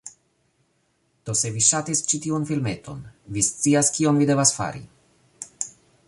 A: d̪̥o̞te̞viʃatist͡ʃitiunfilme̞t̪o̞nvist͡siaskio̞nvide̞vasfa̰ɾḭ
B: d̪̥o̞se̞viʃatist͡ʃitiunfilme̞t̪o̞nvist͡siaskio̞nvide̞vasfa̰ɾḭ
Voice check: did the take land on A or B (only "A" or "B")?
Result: B